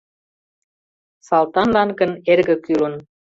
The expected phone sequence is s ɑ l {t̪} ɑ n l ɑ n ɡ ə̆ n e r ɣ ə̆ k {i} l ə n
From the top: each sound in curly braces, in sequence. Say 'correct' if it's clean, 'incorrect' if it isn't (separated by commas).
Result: correct, incorrect